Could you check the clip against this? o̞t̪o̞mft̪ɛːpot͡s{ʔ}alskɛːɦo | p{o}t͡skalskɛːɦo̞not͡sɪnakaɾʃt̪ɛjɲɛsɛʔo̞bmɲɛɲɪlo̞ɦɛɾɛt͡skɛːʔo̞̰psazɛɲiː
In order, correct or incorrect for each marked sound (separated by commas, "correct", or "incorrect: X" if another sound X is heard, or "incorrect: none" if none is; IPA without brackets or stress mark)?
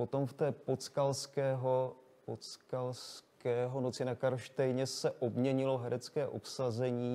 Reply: incorrect: k, correct